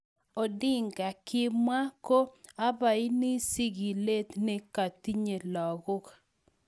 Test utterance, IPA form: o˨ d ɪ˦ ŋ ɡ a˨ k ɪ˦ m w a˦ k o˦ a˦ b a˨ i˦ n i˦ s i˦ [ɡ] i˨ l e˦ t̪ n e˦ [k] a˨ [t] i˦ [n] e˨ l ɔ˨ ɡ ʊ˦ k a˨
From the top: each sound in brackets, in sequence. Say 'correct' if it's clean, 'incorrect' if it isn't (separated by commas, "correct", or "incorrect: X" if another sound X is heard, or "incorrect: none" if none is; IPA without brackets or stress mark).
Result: correct, correct, correct, incorrect: ɲ